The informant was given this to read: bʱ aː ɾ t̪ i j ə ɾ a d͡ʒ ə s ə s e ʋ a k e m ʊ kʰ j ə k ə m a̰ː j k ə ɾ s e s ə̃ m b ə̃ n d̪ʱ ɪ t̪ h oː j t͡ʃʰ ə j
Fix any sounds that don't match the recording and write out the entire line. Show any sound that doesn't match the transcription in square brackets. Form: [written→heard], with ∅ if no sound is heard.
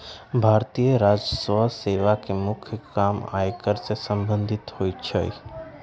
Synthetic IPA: bʱ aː ɾ t̪ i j ə ɾ a d͡ʒ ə s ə s e ʋ a k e m ʊ kʰ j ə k [ə→a] m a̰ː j k ə ɾ s e s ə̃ m b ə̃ n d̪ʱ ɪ t̪ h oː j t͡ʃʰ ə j